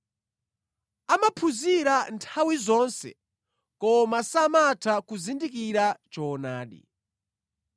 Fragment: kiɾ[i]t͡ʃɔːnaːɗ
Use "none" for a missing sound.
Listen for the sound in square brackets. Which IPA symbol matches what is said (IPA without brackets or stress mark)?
a